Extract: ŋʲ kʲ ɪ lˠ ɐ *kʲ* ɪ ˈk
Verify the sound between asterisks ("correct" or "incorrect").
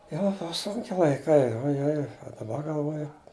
incorrect